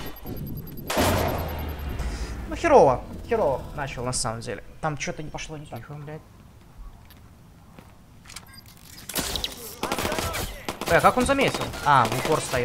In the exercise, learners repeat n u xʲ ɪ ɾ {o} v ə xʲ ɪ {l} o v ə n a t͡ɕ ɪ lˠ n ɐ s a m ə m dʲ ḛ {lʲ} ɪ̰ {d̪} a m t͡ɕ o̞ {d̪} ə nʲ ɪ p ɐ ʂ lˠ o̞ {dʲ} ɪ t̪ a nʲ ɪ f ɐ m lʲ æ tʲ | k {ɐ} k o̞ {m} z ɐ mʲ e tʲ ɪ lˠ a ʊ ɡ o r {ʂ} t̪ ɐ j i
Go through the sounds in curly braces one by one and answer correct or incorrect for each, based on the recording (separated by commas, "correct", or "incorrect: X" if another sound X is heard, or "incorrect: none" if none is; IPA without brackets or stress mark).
correct, incorrect: ɾ, correct, incorrect: t̪, incorrect: t̪, incorrect: nʲ, incorrect: a, incorrect: n, incorrect: s